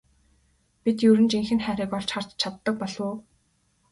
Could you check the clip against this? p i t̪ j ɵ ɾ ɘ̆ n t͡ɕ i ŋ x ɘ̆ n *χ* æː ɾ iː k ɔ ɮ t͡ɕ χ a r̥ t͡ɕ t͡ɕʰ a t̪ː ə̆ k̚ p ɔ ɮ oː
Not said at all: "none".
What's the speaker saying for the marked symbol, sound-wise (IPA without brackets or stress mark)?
χ